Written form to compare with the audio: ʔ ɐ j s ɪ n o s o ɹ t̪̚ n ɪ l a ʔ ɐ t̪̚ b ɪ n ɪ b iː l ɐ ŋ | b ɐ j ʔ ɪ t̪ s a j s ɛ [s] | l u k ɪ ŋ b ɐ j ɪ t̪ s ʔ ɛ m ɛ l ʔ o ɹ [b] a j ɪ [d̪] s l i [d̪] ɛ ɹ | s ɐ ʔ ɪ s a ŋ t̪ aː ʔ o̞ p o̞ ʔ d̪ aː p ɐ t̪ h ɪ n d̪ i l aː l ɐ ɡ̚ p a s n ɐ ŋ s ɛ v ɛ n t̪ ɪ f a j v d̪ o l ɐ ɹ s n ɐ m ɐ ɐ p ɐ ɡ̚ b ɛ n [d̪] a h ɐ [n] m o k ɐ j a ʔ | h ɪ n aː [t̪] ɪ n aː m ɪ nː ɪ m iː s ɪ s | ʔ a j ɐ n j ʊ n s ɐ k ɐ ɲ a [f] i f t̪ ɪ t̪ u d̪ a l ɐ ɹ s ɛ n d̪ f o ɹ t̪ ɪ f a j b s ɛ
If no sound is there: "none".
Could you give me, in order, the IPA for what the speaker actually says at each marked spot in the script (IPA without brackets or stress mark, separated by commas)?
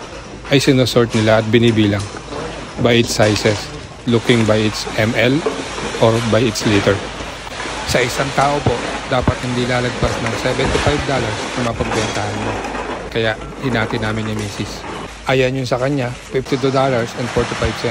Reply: s, b, t̪, t̪, t̪, n, t̪, f